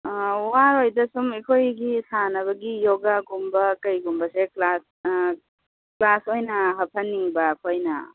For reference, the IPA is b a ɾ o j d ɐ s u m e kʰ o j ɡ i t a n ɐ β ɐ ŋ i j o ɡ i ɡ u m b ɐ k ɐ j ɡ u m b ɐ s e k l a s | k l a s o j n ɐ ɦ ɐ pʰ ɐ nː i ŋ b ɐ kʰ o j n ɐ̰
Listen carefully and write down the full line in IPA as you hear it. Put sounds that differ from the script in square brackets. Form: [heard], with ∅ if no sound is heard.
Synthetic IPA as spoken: [w] a ɾ o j d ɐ s u m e kʰ o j ɡ i [s] a n ɐ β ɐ [ɡ] i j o ɡ [a] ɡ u m b ɐ k ɐ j ɡ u m b ɐ s e k l a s | k l a s o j n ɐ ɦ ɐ pʰ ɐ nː i ŋ b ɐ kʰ o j n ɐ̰

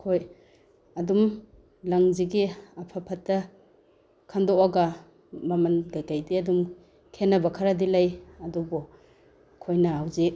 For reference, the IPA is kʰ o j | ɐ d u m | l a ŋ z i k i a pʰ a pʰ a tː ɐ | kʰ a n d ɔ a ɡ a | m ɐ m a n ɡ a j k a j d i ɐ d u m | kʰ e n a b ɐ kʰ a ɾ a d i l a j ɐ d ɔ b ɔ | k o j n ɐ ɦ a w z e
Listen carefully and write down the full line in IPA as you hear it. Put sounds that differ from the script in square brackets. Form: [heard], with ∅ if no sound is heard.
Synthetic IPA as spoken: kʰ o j | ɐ d u m | l a ŋ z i [ɡ] i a pʰ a pʰ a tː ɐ | kʰ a n d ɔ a ɡ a | m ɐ m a n ɡ a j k a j d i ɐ d u m | kʰ e n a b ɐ kʰ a ɾ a d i l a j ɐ d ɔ b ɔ | [kʰ] o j n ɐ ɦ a w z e

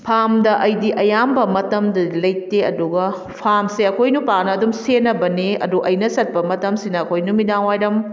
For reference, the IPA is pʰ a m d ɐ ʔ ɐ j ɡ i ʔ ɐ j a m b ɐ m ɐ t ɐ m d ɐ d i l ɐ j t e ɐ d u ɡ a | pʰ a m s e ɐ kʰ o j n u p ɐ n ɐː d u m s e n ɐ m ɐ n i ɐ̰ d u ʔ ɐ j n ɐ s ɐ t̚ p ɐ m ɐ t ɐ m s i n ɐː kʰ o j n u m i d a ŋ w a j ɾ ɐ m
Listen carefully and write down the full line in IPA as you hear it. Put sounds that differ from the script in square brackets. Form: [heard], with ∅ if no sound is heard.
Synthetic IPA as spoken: pʰ a m d ɐ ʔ ɐ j [d] i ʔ ɐ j a m b ɐ m ɐ t ɐ m d ɐ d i l ɐ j t e ɐ d u ɡ [ɐ] | pʰ a m s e ɐ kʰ o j n u p [a] n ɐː d u m s e n ɐ [b] ɐ n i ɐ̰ d u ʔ ɐ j n ɐ s ɐ t̚ p ɐ m ɐ t ɐ m s i n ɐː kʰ o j n u m i d a ŋ w a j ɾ ɐ m

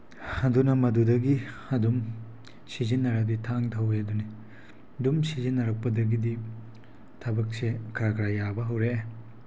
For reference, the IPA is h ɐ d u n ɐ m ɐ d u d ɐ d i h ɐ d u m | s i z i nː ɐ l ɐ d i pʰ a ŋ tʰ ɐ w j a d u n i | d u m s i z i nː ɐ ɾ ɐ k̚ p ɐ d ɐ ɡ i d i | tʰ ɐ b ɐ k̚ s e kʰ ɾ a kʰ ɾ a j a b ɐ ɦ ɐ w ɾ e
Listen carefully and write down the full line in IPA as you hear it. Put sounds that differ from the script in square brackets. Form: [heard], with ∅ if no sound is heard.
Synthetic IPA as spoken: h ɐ d u n ɐ m ɐ d u d ɐ [ɡ] i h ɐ d u m | s i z i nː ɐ [ɾ] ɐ d i [tʰ] a ŋ tʰ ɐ w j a d u n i | d u m s i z i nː ɐ ɾ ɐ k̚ p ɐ d ɐ ɡ i d i | tʰ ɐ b ɐ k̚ s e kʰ ɾ a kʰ ɾ a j a b ɐ ɦ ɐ w ɾ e

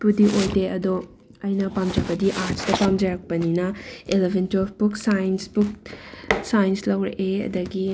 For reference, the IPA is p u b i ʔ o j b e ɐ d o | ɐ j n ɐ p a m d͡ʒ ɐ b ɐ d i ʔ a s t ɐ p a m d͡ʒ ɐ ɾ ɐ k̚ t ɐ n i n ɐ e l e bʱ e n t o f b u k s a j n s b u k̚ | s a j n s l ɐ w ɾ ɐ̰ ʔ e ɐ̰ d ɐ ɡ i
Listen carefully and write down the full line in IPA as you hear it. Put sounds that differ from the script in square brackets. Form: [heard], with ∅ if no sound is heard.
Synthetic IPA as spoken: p u [d] i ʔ o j [d] e ɐ d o | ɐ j n ɐ p a m d͡ʒ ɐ b ɐ d i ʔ a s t ɐ p a m d͡ʒ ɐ ɾ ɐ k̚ [p] ɐ n i n ɐ e l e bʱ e n t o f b u k s a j n s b u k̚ | s a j n s l ɐ w ɾ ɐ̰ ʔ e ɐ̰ d ɐ ɡ i

